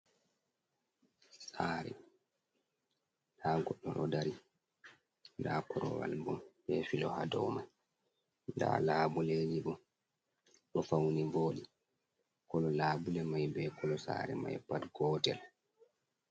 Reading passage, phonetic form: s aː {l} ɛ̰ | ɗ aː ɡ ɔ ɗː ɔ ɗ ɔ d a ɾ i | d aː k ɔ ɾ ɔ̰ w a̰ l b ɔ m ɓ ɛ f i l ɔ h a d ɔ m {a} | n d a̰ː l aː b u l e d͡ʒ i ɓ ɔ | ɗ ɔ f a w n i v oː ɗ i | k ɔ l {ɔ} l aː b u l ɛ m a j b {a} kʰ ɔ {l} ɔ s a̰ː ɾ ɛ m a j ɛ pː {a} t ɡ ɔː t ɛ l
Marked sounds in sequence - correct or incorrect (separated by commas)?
incorrect, correct, correct, incorrect, correct, correct